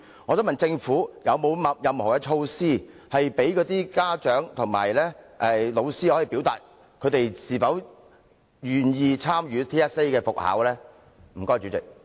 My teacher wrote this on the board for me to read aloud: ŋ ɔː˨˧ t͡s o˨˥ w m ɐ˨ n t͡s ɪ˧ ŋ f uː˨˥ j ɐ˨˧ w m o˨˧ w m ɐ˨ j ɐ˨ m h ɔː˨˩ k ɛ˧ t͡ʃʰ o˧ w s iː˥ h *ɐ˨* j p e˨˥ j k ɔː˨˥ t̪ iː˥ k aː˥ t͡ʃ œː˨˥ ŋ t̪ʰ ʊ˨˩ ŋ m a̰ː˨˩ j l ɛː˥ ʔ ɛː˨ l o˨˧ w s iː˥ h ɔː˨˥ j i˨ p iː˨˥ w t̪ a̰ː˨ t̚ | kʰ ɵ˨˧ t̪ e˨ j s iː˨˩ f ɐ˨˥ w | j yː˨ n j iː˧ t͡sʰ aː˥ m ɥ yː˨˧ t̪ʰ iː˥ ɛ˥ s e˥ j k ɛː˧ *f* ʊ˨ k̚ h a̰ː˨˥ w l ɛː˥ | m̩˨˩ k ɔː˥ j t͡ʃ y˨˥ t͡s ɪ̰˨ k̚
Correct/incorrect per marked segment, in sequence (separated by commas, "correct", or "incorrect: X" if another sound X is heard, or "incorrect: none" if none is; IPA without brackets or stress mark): correct, correct